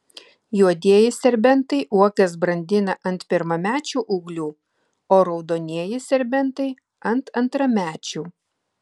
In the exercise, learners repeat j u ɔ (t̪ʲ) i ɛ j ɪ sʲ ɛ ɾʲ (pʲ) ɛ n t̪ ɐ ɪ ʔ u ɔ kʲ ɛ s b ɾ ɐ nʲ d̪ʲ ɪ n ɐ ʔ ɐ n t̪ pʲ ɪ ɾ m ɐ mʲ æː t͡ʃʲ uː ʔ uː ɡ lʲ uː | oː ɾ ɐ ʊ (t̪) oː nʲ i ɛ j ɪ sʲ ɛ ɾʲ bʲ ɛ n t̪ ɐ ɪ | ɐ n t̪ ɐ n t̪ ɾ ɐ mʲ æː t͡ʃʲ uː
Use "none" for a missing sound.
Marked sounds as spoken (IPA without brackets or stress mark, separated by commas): d̪ʲ, bʲ, d̪